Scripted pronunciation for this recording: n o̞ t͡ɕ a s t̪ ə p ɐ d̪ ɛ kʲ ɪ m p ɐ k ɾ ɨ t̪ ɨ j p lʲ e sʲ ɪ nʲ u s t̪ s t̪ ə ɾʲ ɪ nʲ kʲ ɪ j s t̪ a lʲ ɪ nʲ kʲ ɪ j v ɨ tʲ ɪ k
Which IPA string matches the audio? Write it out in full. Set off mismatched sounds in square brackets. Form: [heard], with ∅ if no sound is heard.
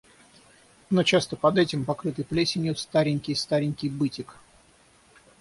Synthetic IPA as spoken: n o̞ t͡ɕ a s t̪ ə p ɐ d̪ ɛ [tʲ] ɪ m p ɐ k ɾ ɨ t̪ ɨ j p lʲ e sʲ ɪ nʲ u [∅] t̪ s t̪ [a] ɾʲ ɪ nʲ kʲ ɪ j s t̪ a [ɾʲ] ɪ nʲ kʲ ɪ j [b] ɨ tʲ ɪ k